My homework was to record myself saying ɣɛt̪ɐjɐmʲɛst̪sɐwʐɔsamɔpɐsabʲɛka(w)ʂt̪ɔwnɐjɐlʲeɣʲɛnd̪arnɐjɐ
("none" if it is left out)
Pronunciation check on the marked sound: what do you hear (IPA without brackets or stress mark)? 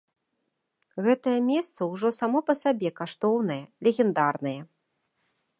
none